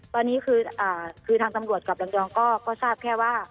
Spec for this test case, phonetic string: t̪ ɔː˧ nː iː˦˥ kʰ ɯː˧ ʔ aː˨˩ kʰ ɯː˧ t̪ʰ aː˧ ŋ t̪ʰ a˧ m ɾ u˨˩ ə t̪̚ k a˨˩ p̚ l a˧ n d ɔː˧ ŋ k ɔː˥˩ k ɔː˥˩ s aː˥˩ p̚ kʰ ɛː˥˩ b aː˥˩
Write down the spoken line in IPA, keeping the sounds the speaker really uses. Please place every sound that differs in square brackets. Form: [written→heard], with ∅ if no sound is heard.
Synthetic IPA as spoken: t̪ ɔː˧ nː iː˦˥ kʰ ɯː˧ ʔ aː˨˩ kʰ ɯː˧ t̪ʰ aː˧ ŋ [t̪ʰ→t̪] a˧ m ɾ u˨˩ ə t̪̚ k a˨˩ p̚ l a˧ [n→ŋ] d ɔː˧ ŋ k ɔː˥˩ k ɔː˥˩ s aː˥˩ p̚ kʰ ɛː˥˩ [b→w] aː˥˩